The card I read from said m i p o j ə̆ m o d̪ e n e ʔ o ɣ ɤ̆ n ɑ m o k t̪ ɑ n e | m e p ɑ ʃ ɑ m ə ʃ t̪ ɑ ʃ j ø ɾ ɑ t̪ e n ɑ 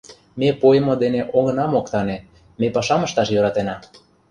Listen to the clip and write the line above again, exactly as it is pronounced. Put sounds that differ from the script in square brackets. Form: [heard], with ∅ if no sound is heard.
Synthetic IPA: m [e] p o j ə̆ m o d̪ e n e ʔ o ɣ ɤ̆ n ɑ m o k t̪ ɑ n e | m e p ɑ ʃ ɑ m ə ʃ t̪ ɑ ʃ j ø ɾ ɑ t̪ e n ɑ